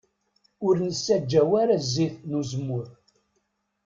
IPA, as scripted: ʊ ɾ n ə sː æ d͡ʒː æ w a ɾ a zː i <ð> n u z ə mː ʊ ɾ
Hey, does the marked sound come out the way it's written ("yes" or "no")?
no